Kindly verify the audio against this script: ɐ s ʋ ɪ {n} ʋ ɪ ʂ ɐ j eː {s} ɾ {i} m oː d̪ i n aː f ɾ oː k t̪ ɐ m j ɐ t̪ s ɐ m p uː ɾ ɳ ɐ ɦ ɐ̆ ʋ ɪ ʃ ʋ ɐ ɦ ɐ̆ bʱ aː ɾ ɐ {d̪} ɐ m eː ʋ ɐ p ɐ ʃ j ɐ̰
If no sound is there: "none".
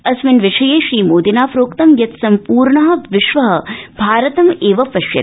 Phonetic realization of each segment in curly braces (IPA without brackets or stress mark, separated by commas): n, ʃ, iː, t̪